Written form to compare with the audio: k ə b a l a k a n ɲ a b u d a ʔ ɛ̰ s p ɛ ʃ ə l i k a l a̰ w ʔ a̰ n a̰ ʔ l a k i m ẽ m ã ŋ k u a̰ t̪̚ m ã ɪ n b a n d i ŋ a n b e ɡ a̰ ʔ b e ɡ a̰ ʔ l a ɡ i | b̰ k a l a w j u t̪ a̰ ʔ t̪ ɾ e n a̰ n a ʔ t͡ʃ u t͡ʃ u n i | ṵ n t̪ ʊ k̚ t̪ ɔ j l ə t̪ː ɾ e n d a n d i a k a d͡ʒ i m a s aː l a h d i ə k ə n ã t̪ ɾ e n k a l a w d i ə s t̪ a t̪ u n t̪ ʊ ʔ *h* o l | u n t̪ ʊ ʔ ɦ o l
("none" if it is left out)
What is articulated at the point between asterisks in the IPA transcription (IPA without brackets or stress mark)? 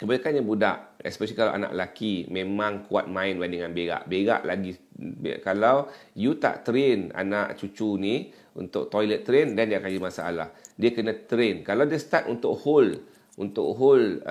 h